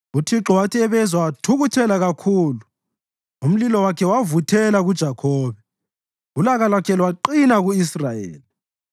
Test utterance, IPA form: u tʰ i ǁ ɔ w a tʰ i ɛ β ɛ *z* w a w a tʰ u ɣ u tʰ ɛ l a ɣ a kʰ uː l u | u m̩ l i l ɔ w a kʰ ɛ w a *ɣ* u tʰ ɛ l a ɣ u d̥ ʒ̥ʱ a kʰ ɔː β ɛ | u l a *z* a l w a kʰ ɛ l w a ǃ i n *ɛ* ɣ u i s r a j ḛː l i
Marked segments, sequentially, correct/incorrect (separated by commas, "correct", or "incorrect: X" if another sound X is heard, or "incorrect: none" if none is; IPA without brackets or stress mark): correct, incorrect: v, incorrect: ɣ, incorrect: a